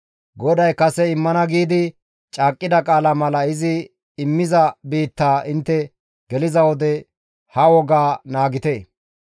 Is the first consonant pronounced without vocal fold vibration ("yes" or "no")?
no